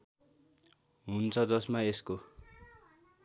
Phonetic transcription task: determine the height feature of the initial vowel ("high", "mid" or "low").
high